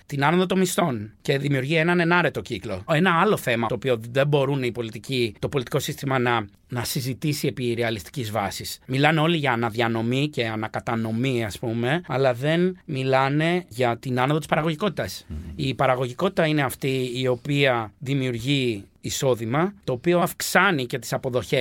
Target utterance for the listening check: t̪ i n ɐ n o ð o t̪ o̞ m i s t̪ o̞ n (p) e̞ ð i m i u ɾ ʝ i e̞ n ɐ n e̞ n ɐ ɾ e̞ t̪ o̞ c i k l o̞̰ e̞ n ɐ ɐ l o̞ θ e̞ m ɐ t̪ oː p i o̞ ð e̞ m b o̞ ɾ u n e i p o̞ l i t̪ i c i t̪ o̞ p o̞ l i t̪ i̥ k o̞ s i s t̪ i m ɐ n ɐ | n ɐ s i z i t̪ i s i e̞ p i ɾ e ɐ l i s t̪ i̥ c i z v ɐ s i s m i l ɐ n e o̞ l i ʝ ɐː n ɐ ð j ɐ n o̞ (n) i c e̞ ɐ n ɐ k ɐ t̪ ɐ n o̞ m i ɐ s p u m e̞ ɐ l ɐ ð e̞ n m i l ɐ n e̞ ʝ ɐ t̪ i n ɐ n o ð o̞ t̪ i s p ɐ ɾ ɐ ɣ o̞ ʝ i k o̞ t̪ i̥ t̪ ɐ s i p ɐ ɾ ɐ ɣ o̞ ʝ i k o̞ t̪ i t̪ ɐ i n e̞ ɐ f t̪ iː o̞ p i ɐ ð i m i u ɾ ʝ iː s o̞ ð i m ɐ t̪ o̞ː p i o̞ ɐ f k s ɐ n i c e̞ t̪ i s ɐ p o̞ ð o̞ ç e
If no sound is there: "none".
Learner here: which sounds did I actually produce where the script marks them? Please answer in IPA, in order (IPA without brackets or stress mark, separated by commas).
c, m